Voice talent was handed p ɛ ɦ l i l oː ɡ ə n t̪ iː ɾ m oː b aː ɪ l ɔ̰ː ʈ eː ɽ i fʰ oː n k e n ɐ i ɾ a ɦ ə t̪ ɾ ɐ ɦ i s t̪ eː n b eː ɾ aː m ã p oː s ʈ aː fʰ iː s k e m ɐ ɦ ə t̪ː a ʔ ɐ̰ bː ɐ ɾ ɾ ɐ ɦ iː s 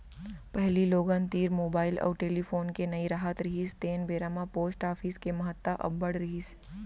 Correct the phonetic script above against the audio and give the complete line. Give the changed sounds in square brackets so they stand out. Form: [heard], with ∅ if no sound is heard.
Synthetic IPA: p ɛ ɦ l i l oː ɡ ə n t̪ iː ɾ m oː b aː ɪ l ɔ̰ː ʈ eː [l] i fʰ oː n k e n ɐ i ɾ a ɦ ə t̪ ɾ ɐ ɦ i s t̪ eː n b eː ɾ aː m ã p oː s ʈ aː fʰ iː s k e m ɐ ɦ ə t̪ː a ʔ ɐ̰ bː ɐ [ɽ] ɾ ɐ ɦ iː s